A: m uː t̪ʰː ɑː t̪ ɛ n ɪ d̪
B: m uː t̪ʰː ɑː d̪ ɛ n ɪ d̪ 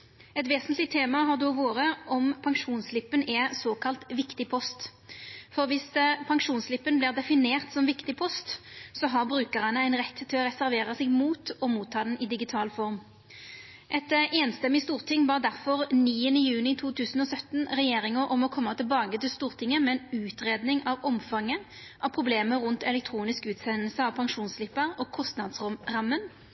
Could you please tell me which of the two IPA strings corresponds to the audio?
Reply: B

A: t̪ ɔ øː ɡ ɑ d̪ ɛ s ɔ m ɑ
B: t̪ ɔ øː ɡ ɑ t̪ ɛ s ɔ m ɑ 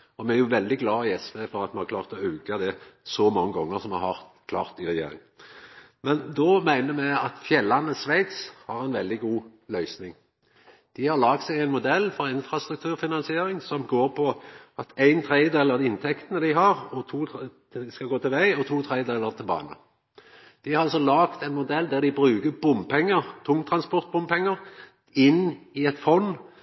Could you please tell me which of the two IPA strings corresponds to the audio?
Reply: A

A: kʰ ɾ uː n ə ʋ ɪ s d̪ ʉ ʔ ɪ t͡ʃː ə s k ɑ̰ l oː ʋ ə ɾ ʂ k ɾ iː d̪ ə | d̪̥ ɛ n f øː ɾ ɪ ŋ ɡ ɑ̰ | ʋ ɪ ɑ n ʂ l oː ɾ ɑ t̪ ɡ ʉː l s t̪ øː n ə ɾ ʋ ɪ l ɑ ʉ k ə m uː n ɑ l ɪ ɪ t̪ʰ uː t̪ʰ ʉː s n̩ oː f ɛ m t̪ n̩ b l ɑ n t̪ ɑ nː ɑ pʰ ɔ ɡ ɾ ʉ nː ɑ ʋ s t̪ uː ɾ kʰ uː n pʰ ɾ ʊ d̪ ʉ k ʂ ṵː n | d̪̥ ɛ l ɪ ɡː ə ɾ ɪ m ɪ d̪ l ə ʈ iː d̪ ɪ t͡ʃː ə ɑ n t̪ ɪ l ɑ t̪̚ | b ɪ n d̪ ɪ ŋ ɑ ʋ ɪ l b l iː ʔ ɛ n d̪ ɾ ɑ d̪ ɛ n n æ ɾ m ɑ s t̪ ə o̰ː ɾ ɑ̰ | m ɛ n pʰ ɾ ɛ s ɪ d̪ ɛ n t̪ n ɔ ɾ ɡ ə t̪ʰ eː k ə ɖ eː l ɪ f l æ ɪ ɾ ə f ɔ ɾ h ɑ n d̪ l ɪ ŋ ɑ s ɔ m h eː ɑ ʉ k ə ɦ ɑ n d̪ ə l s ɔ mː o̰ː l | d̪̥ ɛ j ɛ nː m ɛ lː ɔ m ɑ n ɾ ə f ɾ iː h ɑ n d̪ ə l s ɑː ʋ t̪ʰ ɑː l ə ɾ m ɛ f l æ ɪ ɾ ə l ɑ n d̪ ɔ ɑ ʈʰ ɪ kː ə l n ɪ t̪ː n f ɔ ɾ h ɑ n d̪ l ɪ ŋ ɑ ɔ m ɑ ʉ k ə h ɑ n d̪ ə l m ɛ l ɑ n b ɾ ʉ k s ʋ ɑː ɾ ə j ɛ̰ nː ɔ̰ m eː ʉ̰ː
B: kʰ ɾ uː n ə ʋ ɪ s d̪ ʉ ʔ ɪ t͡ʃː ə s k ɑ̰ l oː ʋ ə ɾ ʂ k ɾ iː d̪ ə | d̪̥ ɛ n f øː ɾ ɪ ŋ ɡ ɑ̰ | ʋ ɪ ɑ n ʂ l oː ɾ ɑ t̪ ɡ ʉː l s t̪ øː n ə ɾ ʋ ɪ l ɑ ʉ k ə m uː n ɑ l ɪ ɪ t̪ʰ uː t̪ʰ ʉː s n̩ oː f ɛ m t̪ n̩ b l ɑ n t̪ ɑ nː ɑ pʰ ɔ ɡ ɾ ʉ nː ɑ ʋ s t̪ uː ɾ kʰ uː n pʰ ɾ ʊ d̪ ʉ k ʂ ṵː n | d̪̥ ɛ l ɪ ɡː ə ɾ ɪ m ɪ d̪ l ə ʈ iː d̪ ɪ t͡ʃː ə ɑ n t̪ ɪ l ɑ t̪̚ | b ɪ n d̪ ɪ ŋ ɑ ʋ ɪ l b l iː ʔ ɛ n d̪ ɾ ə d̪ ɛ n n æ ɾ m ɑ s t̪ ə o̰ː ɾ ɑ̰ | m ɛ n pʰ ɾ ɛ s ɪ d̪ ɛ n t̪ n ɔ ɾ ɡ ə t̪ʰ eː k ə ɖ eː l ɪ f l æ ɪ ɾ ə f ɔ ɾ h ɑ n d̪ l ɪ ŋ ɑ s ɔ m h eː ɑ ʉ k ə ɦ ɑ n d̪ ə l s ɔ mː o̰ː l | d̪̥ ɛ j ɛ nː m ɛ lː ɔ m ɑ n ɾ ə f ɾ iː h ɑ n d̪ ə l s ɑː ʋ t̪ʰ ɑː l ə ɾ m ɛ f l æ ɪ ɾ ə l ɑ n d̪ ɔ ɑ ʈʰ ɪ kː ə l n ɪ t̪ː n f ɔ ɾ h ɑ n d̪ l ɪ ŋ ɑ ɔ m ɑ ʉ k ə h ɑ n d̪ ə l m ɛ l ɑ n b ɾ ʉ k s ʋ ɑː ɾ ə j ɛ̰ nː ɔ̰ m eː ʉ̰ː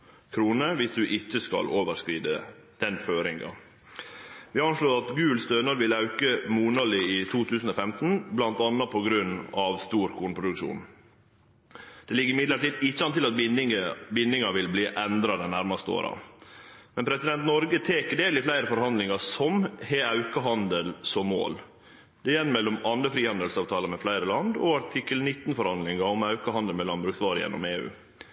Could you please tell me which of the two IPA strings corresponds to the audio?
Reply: A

